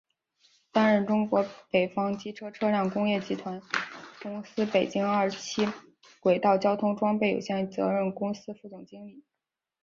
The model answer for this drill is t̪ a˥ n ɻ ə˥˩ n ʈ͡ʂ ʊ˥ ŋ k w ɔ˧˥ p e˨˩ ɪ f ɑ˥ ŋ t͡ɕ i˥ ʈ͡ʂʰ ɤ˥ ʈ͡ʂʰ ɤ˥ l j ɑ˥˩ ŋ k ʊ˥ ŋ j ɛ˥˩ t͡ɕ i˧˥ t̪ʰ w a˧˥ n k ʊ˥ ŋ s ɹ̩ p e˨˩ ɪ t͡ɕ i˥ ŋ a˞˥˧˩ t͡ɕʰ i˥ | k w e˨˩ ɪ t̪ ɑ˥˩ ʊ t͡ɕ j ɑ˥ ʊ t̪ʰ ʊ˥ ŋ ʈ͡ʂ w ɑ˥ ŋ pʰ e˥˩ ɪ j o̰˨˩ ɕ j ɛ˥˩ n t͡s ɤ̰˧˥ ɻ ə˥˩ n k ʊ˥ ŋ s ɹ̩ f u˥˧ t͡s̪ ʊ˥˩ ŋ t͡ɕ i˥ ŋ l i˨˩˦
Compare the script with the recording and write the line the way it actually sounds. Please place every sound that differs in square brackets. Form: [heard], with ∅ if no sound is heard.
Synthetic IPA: t̪ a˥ n ɻ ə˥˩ n ʈ͡ʂ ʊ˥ ŋ k w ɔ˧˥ p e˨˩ ɪ f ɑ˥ ŋ t͡ɕ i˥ ʈ͡ʂʰ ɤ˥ ʈ͡ʂʰ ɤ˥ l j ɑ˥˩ ŋ k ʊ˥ ŋ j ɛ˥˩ t͡ɕ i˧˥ t̪ʰ w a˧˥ n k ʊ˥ ŋ s ɹ̩ p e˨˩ ɪ t͡ɕ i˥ ŋ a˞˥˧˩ t͡ɕʰ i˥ | k w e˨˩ ɪ t̪ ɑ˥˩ ʊ t͡ɕ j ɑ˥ ʊ t̪ʰ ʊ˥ ŋ ʈ͡ʂ w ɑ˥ ŋ [p] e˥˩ ɪ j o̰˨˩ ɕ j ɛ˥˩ n t͡s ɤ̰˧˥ ɻ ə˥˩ n k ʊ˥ ŋ s ɹ̩ f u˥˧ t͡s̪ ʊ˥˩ ŋ t͡ɕ i˥ ŋ l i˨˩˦